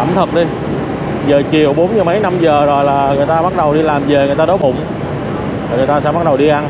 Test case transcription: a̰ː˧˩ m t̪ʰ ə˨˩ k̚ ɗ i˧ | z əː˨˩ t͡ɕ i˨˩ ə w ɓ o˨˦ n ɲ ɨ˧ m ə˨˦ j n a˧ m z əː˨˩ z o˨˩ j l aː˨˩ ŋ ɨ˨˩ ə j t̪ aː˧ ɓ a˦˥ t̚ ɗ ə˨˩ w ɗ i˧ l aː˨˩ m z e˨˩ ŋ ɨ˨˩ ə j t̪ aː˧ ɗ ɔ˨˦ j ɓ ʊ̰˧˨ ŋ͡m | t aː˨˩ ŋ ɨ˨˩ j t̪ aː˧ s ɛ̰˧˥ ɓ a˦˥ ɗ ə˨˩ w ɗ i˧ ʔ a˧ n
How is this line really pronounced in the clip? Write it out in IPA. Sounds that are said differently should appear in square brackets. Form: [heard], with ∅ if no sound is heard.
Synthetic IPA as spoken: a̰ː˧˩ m t̪ʰ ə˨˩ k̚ ɗ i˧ | z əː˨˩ t͡ɕ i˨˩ ə w ɓ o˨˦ n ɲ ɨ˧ m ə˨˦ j n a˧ m z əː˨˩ z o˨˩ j l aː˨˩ ŋ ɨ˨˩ ə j t̪ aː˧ ɓ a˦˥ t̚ ɗ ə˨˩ w ɗ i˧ l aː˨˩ m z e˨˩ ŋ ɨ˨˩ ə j t̪ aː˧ ɗ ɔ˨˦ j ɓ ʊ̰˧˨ ŋ͡m | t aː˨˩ ŋ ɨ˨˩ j t̪ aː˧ s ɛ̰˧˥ ɓ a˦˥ ɗ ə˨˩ w ɗ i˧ ʔ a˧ n